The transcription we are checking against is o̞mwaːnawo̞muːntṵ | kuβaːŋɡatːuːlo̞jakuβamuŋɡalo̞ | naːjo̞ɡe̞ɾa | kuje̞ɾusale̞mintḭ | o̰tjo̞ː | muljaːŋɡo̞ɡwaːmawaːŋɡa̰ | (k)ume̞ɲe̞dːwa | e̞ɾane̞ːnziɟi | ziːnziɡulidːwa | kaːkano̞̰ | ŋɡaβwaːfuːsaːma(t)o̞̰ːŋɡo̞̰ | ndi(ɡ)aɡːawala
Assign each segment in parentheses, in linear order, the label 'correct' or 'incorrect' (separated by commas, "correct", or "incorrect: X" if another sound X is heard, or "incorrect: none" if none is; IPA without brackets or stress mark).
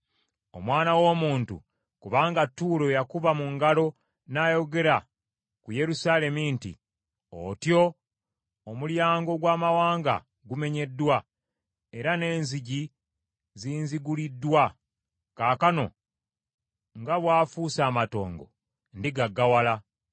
incorrect: ɡ, correct, correct